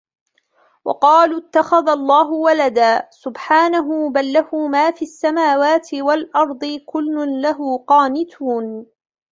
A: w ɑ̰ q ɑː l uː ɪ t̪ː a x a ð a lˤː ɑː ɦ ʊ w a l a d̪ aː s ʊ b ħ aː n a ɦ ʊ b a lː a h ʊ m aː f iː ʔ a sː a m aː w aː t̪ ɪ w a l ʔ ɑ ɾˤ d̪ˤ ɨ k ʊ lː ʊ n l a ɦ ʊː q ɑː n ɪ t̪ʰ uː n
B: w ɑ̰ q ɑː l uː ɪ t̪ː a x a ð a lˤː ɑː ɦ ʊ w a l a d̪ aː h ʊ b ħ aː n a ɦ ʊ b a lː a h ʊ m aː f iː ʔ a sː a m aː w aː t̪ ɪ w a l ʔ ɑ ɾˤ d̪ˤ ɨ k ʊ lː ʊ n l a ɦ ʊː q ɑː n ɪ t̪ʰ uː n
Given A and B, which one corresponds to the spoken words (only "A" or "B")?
A